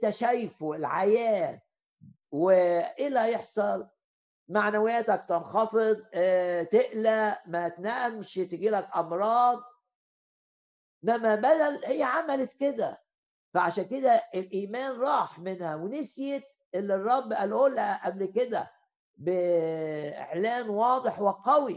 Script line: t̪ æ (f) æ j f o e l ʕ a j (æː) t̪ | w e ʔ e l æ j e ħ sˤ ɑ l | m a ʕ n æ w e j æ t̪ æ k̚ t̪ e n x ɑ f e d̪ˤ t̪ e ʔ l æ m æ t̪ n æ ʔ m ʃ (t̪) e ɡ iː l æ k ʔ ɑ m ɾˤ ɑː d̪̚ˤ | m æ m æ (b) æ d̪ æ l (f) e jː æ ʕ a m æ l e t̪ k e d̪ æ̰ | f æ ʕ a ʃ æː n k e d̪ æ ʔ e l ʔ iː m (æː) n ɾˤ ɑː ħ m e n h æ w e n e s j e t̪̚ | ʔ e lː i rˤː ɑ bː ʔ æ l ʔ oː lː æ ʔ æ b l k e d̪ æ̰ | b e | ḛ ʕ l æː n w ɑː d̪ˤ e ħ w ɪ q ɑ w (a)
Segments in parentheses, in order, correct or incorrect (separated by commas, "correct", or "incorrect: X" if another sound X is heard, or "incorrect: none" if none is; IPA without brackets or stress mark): incorrect: ʃ, correct, correct, correct, incorrect: h, correct, incorrect: i